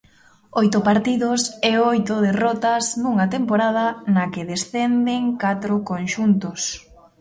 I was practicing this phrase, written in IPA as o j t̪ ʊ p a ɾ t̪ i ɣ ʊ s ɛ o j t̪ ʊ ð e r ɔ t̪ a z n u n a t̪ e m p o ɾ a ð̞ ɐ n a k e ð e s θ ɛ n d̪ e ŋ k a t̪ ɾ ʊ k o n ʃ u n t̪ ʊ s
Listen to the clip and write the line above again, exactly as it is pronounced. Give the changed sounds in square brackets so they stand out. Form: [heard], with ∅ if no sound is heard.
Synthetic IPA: o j t̪ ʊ p a ɾ t̪ i [ð] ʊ s ɛ o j t̪ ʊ ð e r ɔ t̪ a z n u [ŋ] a t̪ e m p o ɾ a ð̞ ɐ n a k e ð e s θ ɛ n d̪ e ŋ k a t̪ ɾ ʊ k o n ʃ u n t̪ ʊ s